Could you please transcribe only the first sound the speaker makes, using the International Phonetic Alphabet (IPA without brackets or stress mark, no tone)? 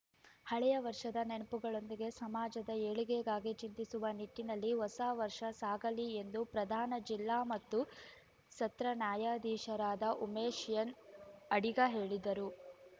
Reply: h